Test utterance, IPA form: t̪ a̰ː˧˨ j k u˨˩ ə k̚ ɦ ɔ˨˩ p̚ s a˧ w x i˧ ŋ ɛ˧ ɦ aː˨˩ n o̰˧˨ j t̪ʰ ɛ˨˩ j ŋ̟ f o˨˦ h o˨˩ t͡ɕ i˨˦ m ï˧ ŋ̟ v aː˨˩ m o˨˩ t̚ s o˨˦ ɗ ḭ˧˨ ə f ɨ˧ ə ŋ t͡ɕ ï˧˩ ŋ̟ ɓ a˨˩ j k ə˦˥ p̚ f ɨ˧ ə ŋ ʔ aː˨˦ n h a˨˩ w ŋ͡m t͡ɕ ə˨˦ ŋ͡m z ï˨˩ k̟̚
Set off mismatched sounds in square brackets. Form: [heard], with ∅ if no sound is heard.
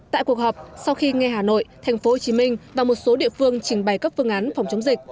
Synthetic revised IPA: t̪ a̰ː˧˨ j k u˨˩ ə k̚ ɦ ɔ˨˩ p̚ s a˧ w x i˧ ŋ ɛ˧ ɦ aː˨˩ n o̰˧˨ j t̪ʰ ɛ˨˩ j ŋ̟ f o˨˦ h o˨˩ t͡ɕ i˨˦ m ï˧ ŋ̟ v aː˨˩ m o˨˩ t̚ s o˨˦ ɗ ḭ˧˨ ə f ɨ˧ ə ŋ t͡ɕ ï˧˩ ŋ̟ ɓ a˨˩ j k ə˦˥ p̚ f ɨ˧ ə ŋ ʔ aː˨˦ n [f] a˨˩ w ŋ͡m t͡ɕ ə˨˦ ŋ͡m z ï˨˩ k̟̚